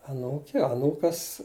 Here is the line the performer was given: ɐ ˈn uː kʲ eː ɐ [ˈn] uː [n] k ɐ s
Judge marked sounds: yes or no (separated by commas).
yes, no